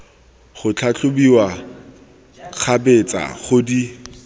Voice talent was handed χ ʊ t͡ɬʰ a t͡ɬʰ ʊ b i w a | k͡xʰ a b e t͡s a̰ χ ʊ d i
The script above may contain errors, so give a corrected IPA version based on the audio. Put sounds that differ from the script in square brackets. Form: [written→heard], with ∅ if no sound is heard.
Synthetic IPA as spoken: χ ʊ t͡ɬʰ a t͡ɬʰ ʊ b i w a | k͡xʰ a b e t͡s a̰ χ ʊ d i